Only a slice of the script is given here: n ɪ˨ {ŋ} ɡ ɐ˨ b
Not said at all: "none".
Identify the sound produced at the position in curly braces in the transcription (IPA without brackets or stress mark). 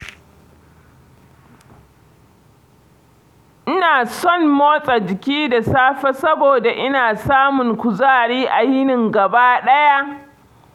ŋ